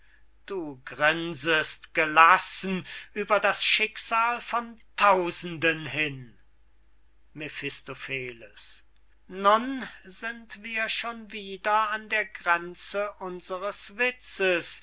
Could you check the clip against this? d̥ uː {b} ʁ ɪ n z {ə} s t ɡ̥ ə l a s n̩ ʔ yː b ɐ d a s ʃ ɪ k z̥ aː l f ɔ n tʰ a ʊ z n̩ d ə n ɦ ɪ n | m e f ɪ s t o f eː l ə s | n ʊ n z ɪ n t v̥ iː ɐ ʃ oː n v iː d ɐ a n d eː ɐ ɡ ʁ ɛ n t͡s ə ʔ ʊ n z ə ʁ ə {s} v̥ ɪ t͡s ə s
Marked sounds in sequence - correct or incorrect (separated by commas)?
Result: incorrect, correct, correct